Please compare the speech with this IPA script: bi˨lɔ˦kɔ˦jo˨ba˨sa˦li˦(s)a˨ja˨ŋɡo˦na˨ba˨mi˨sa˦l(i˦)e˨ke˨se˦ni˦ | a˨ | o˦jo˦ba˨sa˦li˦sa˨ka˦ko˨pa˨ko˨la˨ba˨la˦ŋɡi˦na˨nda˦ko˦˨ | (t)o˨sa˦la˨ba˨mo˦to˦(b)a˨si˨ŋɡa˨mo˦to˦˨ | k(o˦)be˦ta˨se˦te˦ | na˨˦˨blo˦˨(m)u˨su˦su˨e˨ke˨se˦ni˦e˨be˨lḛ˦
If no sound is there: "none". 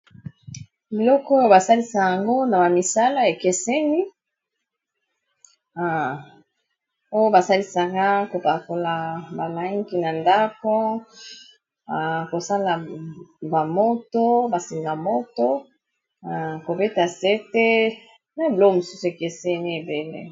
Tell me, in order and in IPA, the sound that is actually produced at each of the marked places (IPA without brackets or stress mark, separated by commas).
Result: s, a˦, k, b, o˨, m